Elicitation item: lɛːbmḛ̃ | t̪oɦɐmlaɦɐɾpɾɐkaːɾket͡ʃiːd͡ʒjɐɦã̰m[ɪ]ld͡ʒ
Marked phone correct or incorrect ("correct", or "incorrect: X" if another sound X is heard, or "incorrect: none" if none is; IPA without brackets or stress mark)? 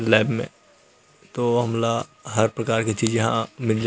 correct